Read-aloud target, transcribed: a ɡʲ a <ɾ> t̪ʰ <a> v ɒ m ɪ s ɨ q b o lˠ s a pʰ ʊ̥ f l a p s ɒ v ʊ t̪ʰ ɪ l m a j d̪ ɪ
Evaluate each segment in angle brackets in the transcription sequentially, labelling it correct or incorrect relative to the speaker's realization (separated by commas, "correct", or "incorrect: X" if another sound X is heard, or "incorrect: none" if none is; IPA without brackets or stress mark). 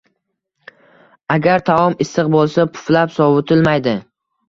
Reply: correct, correct